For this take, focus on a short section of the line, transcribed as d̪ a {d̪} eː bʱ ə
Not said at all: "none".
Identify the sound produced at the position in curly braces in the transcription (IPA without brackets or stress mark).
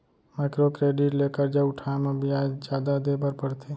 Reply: d̪